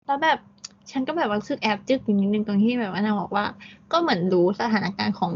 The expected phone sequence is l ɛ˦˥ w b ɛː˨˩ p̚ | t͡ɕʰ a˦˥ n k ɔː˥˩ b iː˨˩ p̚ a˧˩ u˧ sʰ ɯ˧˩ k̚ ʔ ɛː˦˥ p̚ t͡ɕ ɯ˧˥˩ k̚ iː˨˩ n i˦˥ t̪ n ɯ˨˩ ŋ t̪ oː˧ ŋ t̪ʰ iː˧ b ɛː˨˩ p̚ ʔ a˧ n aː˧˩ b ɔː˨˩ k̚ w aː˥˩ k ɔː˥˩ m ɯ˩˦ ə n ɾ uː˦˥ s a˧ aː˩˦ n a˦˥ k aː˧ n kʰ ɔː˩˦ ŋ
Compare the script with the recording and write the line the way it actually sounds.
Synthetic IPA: l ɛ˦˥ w b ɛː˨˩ p̚ | t͡ɕʰ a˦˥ n k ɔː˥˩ b ɛː˨˩ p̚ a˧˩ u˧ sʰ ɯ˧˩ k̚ ʔ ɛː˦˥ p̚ t͡ɕ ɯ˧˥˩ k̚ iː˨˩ n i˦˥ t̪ n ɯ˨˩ ŋ t̪ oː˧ ŋ t̪ʰ iː˥˩ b ɛː˨˩ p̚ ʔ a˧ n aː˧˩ b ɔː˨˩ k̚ w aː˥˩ k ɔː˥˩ m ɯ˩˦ ə n ɾ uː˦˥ s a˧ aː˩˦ n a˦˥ k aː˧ n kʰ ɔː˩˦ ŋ